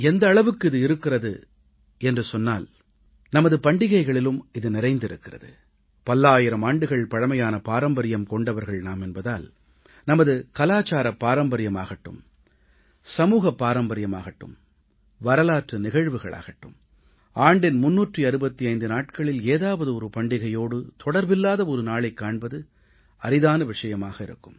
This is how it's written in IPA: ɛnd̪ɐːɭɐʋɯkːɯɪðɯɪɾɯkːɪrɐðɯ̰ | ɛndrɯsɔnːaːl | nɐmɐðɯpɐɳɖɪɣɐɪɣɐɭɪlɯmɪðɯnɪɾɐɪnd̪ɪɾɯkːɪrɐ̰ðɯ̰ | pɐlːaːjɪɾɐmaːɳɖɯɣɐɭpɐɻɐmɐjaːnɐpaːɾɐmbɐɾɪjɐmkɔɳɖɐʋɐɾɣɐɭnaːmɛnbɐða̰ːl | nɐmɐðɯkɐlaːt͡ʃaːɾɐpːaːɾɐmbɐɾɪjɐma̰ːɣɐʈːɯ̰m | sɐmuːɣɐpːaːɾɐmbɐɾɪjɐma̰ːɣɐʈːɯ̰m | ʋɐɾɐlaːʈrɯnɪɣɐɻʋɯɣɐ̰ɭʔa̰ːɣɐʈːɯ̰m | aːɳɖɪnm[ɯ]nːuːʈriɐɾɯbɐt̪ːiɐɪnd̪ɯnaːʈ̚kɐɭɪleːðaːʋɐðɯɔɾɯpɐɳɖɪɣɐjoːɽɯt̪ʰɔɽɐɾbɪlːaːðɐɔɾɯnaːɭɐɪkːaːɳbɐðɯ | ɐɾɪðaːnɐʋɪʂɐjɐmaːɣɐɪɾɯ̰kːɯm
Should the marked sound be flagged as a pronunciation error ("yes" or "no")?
yes